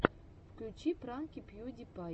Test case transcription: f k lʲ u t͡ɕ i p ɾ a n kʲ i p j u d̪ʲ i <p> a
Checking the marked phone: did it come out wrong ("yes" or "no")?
no